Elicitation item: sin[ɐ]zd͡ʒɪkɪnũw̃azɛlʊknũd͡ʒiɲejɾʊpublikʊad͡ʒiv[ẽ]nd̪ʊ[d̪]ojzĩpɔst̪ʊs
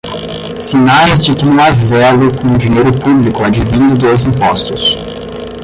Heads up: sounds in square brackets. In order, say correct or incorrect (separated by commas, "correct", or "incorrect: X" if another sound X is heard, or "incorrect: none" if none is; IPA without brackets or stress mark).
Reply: incorrect: a, incorrect: ĩ, correct